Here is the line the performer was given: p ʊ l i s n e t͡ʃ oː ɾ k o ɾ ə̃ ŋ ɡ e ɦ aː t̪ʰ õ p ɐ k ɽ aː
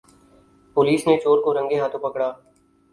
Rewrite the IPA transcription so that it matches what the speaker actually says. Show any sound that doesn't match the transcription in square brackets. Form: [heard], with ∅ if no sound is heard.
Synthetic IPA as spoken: p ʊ l [iː] s n e t͡ʃ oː ɾ k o ɾ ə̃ ŋ ɡ e ɦ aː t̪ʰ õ p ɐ k ɽ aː